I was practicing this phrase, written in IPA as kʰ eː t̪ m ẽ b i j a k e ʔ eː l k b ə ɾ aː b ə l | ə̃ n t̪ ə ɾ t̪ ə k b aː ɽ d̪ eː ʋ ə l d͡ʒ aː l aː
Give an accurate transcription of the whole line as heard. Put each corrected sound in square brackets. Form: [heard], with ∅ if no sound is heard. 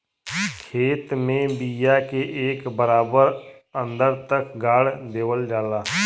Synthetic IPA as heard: kʰ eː t̪ m ẽ b i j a k e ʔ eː [∅] k b ə ɾ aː b ə [ɾ] | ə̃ n [d̪] ə ɾ t̪ ə k [ɡ] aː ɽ d̪ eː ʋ ə l d͡ʒ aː l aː